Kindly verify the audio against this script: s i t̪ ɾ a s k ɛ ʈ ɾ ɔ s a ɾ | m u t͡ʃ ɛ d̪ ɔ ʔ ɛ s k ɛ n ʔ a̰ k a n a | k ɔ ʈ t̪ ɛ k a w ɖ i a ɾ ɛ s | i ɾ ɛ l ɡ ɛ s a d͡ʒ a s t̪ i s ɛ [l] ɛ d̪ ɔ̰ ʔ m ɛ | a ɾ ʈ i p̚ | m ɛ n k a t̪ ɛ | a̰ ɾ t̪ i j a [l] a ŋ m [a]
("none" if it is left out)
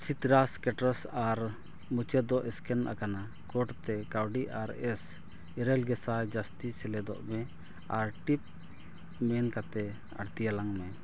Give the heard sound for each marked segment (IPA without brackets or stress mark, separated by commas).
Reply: l, l, ɛ